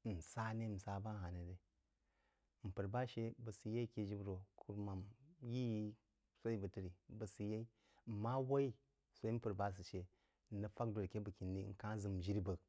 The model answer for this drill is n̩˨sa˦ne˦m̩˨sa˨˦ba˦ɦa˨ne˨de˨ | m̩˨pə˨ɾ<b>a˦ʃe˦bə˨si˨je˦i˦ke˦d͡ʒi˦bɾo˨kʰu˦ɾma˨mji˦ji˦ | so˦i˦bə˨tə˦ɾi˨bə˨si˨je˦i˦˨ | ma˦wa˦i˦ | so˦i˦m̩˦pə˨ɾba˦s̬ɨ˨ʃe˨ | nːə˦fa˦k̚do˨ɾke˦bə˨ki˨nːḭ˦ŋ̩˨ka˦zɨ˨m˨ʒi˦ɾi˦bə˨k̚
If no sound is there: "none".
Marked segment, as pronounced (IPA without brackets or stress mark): b